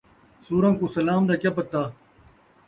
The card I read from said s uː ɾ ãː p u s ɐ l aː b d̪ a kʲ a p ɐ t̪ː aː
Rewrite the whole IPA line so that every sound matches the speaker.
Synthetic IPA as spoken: s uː ɾ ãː k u s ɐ l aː m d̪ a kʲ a p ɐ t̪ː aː